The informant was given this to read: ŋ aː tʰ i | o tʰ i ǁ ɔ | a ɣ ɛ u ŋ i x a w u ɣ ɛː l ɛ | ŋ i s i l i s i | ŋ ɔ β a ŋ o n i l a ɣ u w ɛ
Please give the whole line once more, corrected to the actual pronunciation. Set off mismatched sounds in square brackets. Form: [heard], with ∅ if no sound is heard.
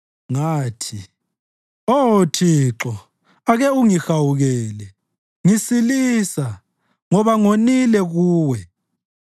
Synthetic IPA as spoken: ŋ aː tʰ i | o tʰ i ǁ ɔ | a ɣ ɛ u ŋ i x a w u ɣ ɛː l ɛ | ŋ i s i l i s [a] | ŋ ɔ β a ŋ o n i l [ɛ] ɣ [uː] w ɛ